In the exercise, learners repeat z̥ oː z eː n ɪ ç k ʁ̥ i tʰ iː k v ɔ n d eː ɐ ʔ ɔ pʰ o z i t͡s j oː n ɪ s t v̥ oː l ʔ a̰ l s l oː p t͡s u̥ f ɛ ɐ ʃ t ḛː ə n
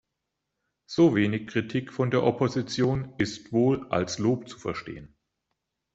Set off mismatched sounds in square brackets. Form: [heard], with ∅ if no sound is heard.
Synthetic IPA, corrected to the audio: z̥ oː [v] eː n ɪ ç k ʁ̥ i tʰ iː k [f] ɔ n d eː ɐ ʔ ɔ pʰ o z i t͡s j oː n ɪ s t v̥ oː l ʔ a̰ l s l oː p t͡s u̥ f ɛ ɐ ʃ t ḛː ə n